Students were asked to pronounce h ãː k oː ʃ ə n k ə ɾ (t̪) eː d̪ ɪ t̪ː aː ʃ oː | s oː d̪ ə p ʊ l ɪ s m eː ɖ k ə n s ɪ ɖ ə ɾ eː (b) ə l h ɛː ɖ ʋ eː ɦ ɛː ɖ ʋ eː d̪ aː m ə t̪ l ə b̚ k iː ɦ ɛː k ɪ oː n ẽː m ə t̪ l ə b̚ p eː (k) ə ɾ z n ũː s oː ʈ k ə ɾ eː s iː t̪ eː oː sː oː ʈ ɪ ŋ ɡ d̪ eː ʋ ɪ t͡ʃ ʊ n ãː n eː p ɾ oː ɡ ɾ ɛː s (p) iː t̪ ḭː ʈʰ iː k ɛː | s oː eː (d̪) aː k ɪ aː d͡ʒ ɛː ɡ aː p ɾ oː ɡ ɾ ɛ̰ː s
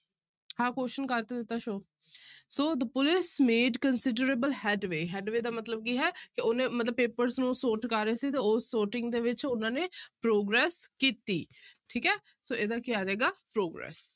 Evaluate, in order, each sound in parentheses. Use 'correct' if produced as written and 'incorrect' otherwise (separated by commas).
correct, correct, incorrect, incorrect, correct